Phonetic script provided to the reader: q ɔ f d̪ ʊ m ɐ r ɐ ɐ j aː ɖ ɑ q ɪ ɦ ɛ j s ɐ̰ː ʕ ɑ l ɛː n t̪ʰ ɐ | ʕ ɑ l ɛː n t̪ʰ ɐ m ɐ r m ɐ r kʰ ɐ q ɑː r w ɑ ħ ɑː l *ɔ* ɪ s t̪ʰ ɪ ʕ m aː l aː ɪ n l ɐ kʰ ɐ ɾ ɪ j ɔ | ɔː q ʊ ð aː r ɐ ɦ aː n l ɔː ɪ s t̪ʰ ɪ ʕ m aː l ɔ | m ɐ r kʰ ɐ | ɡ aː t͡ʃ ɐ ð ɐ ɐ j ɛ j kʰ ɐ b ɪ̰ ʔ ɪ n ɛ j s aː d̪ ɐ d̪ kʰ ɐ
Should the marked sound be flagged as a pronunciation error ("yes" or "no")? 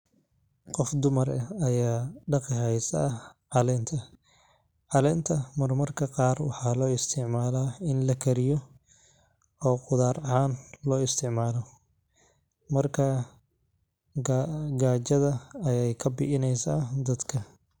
yes